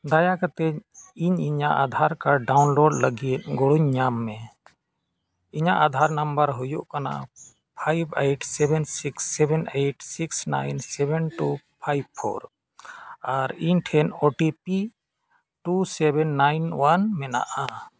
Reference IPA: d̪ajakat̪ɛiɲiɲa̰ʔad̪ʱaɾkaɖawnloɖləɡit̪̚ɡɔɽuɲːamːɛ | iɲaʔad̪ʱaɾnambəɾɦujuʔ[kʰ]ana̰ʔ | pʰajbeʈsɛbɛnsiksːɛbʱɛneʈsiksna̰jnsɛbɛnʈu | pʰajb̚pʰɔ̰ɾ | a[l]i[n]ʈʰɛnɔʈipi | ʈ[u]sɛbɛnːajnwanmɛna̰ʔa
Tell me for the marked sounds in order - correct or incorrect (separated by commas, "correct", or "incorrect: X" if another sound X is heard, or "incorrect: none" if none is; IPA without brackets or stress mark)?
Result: incorrect: k, incorrect: ɾ, incorrect: ɲ, correct